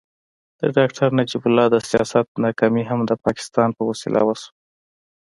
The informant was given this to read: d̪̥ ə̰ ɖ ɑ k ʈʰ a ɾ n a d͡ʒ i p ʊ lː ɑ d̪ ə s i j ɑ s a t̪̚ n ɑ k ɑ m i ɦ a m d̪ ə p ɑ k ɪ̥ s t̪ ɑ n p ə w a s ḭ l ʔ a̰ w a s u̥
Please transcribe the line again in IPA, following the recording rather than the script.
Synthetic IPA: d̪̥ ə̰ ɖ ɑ k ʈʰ a ɾ n a d͡ʒ i b ʊ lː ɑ d̪ ə s i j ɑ s a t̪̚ n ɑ k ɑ m i ɦ a m d̪ ə p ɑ k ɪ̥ s t̪ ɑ n p ə w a s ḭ l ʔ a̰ w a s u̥